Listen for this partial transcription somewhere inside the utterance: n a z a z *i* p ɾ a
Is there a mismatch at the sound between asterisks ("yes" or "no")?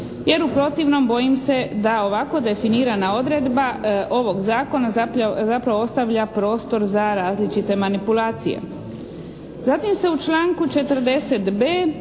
yes